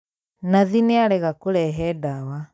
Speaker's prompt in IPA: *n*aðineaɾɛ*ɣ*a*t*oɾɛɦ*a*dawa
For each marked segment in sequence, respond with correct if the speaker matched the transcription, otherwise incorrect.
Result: correct, correct, incorrect, incorrect

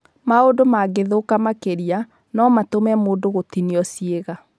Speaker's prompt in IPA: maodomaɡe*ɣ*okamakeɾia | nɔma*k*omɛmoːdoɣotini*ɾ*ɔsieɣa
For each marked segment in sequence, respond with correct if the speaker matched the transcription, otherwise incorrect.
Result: incorrect, incorrect, incorrect

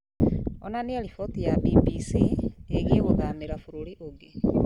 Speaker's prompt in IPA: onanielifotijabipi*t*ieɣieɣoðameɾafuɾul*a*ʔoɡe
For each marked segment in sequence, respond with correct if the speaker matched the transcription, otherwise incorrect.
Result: incorrect, incorrect

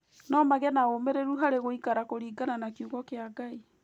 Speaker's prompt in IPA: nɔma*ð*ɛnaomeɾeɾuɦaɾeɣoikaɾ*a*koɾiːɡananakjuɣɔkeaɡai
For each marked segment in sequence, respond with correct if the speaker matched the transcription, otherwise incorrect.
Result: incorrect, correct

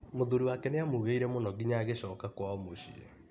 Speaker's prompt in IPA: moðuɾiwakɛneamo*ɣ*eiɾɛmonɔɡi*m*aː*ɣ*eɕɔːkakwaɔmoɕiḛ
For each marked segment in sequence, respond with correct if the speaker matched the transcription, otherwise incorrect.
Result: correct, incorrect, correct

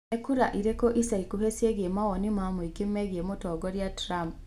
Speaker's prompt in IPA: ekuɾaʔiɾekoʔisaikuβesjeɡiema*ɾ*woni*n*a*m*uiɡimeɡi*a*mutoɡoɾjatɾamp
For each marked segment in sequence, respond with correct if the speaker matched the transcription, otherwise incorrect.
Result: incorrect, incorrect, correct, incorrect

